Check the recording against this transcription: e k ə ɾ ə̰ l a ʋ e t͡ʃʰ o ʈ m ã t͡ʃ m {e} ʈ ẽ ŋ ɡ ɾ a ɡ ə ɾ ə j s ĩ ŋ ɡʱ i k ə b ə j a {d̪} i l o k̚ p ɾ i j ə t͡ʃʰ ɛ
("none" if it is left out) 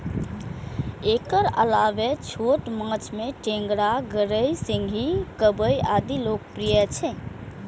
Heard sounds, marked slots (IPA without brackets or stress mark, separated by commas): e, d̪